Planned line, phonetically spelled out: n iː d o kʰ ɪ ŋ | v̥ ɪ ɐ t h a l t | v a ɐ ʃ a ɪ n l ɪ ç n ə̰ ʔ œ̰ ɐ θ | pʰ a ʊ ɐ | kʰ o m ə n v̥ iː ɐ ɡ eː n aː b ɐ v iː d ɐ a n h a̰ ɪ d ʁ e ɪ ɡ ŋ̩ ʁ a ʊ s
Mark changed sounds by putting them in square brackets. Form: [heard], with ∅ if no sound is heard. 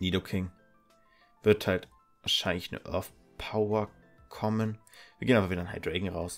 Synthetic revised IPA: n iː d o kʰ ɪ ŋ | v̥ ɪ ɐ t h a l t | v a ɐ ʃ a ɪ n l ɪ ç n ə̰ ʔ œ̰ ɐ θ | pʰ a ʊ ɐ | kʰ [ɔ] m ə n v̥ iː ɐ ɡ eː n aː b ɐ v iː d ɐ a n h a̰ ɪ d ʁ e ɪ ɡ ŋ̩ ʁ a ʊ s